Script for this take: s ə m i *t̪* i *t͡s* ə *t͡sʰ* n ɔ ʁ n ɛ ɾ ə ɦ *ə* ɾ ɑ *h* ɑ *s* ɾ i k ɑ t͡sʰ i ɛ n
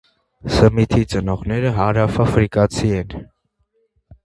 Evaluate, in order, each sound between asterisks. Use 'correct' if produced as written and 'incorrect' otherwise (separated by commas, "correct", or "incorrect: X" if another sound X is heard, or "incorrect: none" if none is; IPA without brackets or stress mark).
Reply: incorrect: t̪ʰ, correct, incorrect: none, incorrect: ɑ, incorrect: f, incorrect: f